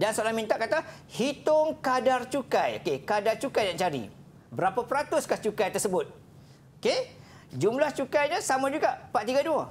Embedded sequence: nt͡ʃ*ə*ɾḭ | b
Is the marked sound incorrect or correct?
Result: incorrect: a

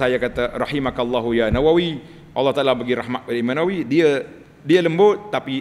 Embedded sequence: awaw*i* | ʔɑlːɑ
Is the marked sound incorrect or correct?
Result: correct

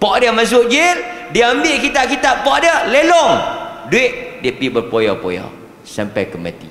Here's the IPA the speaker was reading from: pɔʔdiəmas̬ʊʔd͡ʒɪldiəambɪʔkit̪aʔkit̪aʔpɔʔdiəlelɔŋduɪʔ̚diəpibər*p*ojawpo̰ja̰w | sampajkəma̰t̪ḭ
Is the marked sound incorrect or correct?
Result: correct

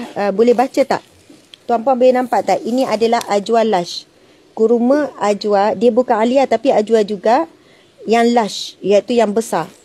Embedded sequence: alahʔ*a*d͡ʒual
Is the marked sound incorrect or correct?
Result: correct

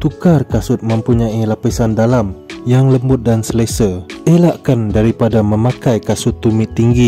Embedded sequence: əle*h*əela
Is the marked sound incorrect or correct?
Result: incorrect: s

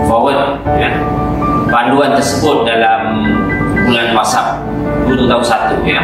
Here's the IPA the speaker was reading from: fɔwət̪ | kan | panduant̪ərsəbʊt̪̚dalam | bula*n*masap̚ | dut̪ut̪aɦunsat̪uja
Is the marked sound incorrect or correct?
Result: correct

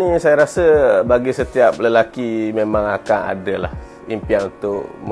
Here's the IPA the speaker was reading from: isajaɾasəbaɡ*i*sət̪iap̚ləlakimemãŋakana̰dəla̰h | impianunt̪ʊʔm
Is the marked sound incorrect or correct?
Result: correct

